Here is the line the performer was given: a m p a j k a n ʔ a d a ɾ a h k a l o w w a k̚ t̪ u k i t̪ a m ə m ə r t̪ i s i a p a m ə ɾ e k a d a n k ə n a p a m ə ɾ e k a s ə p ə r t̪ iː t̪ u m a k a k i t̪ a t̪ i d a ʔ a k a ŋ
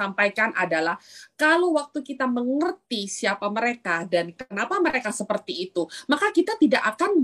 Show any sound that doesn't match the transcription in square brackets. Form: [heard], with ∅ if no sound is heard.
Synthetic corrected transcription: a m p a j k a n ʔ a d a [l] a h k a l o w w a k̚ t̪ u k i t̪ a m ə [ŋ] ə r t̪ i s i a p a m ə ɾ e k a d a n k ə n a p a m ə ɾ e k a s ə p ə r t̪ iː t̪ u m a k a k i t̪ a t̪ i d a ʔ a k a [n]